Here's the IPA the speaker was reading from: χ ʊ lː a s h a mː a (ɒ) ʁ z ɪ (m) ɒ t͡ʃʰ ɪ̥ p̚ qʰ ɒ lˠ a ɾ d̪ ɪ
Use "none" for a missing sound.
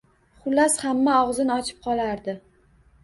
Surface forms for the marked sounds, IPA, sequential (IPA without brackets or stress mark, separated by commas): ɒ, n